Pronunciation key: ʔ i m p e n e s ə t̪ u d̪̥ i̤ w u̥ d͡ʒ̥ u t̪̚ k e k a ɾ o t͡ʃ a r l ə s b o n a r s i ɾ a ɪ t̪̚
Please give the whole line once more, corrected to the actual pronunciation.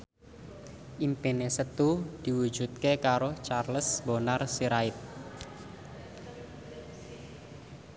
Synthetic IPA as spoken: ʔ i m p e n e s ə t̪ u d̪̥ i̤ w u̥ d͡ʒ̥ u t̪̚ k e k a ɾ o t͡ʃ a r l ə s b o n a r s i ɾ a ɪ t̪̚

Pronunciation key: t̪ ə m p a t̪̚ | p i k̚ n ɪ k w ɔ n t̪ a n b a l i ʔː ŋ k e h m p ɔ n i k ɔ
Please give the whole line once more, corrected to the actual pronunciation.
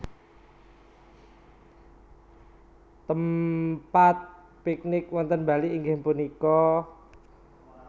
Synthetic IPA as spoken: t̪ ə m p a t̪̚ | p i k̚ n ɪ k w ɔ n t̪ ə n b a l i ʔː ŋ ɡ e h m p u n i k ɔ

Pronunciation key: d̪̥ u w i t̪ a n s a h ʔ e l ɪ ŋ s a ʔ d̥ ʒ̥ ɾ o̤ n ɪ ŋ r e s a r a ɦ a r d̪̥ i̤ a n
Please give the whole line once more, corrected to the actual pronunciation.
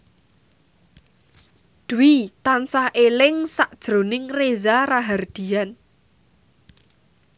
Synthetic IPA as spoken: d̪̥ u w i t̪ a n s a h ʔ e l ɪ ŋ s a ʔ d̥ ʒ̥ ɾ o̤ n ɪ ŋ r e z a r a ɦ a r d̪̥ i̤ a n

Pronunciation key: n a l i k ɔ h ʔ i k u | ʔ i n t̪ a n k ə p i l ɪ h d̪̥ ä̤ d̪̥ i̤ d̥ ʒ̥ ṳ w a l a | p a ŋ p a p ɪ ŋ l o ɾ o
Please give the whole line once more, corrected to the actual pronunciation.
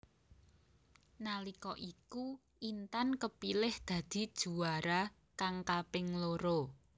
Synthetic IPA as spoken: n a l i k ɔ ʔ i k u | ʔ i n t̪ a n k ə p i l ɪ h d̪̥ ä̤ d̪̥ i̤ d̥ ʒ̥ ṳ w a ɾ a | k a ŋ k a p ɪ ŋ l o ɾ o

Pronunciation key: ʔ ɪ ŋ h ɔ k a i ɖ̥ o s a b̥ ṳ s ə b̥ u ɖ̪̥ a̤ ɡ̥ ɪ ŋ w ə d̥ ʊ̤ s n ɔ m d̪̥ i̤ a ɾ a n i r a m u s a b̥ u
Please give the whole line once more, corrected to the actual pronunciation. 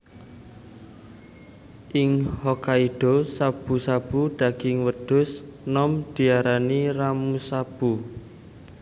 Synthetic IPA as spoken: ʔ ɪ ŋ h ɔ k a i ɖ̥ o s a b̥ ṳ s a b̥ u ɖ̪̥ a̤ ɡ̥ ɪ ŋ w ə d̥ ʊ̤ s n ɔ m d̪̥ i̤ a ɾ a n i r a m u s a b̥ u

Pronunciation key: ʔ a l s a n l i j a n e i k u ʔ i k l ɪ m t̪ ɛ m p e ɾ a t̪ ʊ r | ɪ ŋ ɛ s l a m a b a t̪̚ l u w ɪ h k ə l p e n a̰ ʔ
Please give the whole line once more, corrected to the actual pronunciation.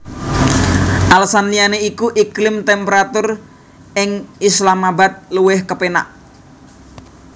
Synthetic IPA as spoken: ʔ a l s a n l i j a n e i k u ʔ i k l ɪ m t̪ ɛ m p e ɾ a t̪ ʊ r | ɪ ŋ i s l a m a b a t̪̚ l u w ɪ h k ə p e n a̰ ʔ

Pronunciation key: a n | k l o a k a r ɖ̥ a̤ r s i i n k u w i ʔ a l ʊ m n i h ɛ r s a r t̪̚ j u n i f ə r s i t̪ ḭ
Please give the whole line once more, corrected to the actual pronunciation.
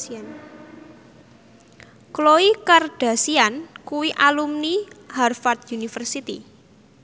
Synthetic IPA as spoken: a n | k l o i k a r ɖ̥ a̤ s i a n k u w i ʔ a l u m n i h a r f a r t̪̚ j u n i f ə r s i t̪ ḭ

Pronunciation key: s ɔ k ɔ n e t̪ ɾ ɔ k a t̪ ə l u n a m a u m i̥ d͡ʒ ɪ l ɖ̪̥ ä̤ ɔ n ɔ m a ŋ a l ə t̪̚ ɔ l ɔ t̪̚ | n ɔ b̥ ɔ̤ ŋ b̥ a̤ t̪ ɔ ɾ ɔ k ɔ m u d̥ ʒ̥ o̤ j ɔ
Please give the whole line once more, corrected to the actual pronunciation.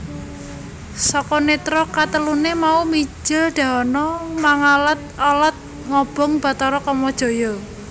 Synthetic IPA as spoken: s ɔ k ɔ n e t̪ ɾ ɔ k a t̪ ə l u n e m a u m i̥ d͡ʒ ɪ l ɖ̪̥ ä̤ ɔ n ɔ m a ŋ a l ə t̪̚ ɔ l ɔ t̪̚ | ŋ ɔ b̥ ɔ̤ ŋ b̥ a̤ t̪ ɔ ɾ ɔ k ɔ m ɔ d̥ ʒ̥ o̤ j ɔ

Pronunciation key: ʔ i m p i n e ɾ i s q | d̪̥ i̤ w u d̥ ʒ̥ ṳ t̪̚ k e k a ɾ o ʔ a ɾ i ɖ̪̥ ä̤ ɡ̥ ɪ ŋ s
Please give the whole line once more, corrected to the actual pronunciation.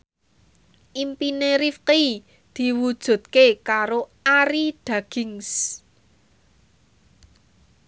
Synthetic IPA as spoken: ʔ i m p i n e ɾ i f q | d̪̥ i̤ w u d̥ ʒ̥ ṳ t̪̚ k e k a ɾ o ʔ a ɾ i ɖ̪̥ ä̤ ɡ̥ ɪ ŋ s

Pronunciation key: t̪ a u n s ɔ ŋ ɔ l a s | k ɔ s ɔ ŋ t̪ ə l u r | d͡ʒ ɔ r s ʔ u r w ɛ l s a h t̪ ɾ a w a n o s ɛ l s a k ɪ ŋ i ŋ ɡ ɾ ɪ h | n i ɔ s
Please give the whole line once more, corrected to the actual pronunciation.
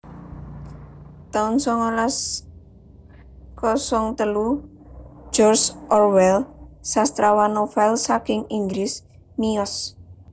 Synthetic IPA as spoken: t̪ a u n s ɔ ŋ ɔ l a s | k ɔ s ɔ ŋ t̪ ə l u | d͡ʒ ɔ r s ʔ ɔ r w ɛ l s a s t̪ ɾ a w a n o f ɛ l s a k ɪ ŋ i ŋ ɡ ɾ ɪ s | n i ɔ s

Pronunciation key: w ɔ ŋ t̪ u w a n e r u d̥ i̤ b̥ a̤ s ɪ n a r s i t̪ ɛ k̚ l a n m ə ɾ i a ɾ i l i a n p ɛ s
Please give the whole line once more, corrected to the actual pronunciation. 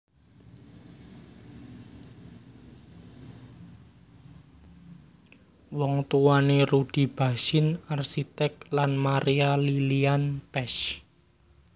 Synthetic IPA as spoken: w ɔ ŋ t̪ u w a n e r u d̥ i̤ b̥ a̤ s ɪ n a r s i t̪ ɛ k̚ l a n m a ɾ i a l i l i a n p ɛ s

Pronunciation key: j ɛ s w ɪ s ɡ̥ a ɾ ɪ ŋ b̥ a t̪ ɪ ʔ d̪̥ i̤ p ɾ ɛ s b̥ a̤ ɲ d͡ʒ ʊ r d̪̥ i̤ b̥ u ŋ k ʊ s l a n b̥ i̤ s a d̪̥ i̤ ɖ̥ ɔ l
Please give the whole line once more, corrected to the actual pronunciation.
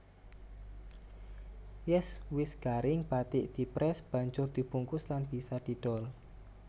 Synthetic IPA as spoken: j ɛ s w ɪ s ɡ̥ a ɾ ɪ ŋ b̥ a t̪ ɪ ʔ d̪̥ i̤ p ɾ ɛ s b̥ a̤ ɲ d͡ʒ ʊ r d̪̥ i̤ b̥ u ŋ k ʊ s l a n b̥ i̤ s a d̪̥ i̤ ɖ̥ ɔ l

